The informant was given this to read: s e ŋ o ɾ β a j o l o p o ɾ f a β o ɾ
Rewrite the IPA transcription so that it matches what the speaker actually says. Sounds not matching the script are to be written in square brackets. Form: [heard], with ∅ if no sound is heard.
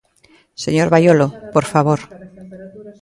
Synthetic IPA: s e [ɲ] o ɾ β a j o l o p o ɾ f a β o ɾ